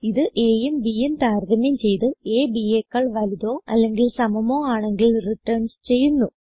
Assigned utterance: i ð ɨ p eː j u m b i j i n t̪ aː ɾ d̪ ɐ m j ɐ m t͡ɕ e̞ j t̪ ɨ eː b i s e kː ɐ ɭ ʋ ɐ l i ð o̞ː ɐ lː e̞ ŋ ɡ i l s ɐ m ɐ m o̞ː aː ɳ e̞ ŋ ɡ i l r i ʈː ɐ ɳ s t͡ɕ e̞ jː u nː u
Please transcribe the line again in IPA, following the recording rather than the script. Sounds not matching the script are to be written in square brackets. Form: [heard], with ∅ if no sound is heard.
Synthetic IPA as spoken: i ð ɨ [ʔ] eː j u m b i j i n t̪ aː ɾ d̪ ɐ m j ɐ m t͡ɕ e̞ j t̪ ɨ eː b i [∅] e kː ɐ ɭ ʋ ɐ l i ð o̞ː ɐ lː e̞ ŋ ɡ i l s ɐ m ɐ m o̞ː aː ɳ e̞ ŋ ɡ i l r i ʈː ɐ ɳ s t͡ɕ e̞ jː u nː u